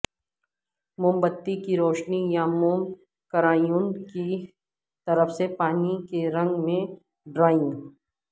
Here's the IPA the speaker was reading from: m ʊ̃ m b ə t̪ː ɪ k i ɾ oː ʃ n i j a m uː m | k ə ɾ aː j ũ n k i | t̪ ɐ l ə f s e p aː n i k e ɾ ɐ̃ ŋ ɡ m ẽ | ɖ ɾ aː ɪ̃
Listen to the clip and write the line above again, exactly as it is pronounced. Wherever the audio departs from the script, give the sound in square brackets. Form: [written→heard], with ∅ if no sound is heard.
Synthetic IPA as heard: m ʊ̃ m b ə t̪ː [ɪ→i] k i ɾ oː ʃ n i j a m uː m | k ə ɾ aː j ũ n k i | t̪ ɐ [l→ɾ] ə f s e p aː n i k e ɾ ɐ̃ ŋ ɡ m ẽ | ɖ ɾ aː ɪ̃